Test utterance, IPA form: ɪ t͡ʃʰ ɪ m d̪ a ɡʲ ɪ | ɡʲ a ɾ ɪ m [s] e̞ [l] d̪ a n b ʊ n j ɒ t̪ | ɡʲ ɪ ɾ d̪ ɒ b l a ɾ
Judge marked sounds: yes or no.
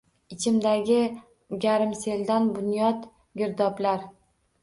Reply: yes, yes

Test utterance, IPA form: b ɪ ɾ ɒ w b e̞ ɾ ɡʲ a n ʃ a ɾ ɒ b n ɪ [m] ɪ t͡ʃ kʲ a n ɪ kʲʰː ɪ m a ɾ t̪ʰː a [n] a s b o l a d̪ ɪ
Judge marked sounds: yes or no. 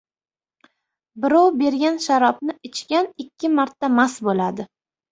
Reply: no, no

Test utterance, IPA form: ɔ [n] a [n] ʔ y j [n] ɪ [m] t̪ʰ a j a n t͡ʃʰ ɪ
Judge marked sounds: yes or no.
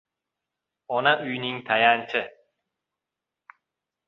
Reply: yes, no, yes, no

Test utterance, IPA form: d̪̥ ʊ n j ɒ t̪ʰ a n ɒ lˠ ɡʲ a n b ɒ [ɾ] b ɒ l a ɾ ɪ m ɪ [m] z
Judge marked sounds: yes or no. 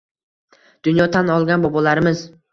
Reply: no, no

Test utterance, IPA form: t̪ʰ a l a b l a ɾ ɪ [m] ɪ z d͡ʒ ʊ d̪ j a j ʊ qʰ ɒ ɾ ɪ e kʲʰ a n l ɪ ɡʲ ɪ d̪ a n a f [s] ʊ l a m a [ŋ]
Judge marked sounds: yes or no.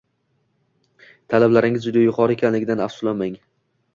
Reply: no, yes, yes

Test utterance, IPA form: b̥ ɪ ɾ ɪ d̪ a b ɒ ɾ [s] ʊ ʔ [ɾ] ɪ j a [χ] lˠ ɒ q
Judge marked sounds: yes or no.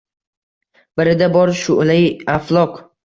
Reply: no, no, no

